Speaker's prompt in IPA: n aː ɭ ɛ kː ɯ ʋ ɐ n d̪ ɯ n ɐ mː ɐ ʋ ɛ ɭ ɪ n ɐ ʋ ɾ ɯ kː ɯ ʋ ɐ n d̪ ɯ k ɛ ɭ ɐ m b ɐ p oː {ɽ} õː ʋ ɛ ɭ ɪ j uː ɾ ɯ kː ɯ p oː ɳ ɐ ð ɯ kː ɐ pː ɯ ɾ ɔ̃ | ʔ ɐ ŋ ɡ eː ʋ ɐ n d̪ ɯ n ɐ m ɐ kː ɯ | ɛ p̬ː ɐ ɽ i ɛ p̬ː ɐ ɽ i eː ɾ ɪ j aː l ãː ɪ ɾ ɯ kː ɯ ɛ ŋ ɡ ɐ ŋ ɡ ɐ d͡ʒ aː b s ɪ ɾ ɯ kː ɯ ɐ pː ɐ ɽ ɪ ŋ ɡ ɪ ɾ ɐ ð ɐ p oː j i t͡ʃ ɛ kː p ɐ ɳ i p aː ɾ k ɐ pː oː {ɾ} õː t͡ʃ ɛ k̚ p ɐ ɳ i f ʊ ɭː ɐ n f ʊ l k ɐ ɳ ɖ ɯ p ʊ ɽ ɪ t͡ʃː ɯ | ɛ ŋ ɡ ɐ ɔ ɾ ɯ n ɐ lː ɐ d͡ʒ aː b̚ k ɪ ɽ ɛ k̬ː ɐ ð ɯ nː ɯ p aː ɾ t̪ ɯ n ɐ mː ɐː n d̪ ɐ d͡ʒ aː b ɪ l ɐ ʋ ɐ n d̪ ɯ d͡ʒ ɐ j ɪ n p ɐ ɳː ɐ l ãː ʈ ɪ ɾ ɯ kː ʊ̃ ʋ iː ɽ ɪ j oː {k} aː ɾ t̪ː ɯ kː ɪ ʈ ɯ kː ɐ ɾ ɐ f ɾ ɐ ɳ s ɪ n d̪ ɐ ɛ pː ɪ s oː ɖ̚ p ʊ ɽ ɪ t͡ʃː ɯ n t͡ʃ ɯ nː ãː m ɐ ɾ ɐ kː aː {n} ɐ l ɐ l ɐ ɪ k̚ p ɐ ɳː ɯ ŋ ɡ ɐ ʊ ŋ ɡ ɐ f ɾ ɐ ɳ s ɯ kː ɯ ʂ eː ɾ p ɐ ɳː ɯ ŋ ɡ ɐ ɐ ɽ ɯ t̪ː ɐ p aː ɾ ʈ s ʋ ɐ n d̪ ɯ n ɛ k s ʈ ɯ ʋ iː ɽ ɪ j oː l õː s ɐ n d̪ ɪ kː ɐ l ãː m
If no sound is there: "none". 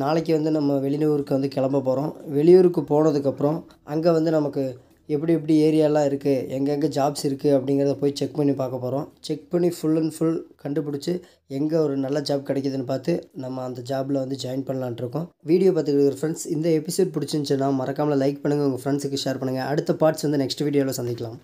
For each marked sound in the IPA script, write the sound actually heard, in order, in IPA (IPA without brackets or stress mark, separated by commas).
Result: ɾ, ɾ, p, m